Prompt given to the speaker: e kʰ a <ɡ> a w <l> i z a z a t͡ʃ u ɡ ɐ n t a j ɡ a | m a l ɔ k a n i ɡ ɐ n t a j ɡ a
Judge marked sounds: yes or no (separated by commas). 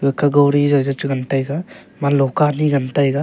yes, no